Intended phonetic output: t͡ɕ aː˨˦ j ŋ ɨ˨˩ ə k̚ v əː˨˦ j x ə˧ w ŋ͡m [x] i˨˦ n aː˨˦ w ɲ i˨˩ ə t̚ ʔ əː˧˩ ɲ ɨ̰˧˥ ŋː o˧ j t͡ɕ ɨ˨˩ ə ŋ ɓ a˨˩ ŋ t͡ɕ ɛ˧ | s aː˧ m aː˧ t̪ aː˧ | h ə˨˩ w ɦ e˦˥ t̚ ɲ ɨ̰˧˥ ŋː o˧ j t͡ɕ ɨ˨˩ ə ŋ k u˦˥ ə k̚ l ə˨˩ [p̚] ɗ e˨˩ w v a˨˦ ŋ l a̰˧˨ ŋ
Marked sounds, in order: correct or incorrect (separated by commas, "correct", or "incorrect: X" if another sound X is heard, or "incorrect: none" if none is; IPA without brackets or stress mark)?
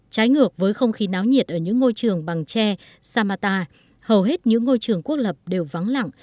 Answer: correct, correct